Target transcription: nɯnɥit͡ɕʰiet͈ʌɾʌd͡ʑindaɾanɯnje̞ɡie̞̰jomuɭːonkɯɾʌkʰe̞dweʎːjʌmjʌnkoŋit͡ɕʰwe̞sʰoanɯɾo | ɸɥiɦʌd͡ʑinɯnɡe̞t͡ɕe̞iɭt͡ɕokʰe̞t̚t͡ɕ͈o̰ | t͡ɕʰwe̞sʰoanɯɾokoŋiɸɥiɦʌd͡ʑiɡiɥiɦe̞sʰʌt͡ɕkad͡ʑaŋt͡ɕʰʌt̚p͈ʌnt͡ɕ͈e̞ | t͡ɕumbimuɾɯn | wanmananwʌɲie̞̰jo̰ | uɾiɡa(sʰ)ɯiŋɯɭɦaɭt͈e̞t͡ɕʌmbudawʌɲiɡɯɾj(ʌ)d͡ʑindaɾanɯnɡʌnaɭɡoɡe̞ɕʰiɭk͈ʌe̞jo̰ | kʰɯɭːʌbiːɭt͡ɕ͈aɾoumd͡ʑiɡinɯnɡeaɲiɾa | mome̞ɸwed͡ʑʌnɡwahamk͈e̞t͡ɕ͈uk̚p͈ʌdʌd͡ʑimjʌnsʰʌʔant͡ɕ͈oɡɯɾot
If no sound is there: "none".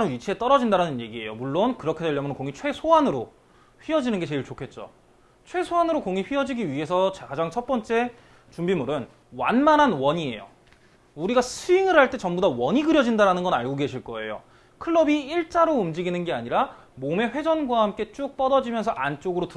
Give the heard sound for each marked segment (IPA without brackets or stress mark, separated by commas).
sʰ, ʌ